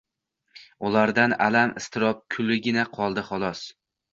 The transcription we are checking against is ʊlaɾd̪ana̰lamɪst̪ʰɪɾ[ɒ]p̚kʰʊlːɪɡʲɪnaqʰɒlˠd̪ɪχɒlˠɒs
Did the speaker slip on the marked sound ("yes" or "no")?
no